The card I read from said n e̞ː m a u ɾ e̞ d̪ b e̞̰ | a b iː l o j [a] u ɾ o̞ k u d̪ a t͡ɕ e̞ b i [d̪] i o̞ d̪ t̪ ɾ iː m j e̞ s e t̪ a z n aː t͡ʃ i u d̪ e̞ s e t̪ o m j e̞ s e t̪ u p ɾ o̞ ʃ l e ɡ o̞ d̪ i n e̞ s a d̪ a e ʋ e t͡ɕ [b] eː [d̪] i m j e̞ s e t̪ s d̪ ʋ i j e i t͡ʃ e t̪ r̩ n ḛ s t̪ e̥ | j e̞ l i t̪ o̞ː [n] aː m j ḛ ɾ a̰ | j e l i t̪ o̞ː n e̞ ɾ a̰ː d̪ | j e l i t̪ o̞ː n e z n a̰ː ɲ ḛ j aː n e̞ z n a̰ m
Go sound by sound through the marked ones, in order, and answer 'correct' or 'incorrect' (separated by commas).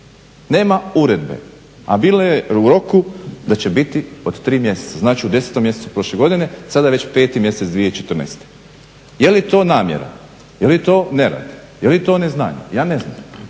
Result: incorrect, incorrect, incorrect, incorrect, correct